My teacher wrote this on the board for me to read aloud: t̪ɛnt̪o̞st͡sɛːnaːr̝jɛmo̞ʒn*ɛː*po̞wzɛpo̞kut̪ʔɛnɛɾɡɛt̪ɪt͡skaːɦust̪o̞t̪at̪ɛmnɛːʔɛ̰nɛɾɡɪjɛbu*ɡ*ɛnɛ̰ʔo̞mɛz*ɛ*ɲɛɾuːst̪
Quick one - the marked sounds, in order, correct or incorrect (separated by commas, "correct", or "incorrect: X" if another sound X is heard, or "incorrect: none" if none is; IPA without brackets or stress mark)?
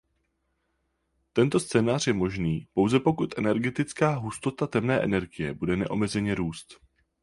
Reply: incorrect: iː, incorrect: d, correct